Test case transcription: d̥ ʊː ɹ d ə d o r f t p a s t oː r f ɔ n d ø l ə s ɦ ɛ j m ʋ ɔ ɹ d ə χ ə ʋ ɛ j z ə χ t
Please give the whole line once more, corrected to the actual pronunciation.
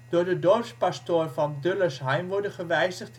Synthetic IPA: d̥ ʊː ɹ d ə d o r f s p a s t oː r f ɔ n d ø l ə s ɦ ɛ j m ʋ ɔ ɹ d ə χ ə ʋ ɛ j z ə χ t